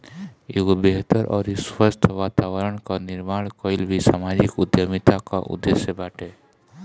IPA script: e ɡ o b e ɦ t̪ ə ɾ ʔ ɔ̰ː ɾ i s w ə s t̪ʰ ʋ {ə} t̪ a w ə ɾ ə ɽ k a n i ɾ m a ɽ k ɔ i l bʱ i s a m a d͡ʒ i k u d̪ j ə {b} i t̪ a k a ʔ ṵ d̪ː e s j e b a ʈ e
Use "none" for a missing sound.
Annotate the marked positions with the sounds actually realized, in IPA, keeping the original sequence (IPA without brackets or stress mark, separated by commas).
a, m